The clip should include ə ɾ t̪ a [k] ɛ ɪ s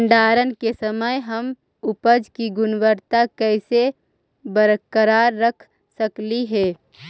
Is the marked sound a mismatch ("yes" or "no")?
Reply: no